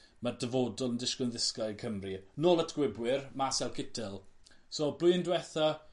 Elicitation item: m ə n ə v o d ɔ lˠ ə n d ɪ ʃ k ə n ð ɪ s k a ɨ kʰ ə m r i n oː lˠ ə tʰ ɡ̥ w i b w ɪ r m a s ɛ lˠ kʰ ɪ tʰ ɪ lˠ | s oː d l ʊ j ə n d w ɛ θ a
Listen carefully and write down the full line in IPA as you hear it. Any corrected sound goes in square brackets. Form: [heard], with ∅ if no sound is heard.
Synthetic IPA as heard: m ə [d] ə v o d ɔ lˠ ə n d ɪ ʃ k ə n ð ɪ s k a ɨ kʰ ə m r i n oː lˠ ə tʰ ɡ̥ w [ɪ] b w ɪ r m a s ɛ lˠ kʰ ɪ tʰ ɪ lˠ | s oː [b] l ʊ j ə n d w ɛ θ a